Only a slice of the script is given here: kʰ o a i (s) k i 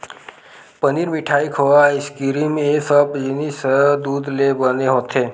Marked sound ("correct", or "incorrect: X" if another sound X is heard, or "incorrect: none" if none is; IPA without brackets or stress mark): correct